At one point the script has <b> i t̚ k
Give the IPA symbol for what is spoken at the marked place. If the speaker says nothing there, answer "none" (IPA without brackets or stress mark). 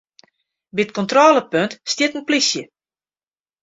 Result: b